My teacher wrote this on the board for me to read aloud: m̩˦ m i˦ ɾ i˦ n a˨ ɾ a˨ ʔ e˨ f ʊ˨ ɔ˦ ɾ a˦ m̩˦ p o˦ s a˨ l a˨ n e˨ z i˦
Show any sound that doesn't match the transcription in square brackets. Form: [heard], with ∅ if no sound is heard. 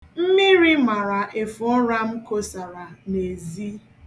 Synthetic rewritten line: m̩˦ m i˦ ɾ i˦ [m] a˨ ɾ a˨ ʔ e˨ f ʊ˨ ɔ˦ ɾ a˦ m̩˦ [k] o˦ s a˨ [ɾ] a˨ n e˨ z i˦